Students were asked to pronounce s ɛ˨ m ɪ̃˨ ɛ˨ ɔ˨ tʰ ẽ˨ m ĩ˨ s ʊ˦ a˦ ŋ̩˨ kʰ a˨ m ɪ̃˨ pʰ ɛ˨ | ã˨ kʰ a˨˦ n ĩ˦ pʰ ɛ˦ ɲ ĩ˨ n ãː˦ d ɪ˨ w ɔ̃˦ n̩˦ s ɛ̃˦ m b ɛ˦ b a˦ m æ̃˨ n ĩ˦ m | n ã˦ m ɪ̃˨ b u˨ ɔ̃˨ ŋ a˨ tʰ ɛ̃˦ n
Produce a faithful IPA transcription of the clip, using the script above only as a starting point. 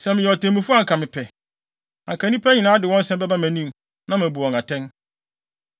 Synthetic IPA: s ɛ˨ m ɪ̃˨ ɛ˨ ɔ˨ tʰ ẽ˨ m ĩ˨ f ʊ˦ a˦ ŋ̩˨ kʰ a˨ m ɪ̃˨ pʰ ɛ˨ | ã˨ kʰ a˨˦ n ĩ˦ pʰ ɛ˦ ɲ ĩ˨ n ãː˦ d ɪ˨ w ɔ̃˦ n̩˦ s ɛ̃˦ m b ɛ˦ b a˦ m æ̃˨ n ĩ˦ m | n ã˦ m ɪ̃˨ b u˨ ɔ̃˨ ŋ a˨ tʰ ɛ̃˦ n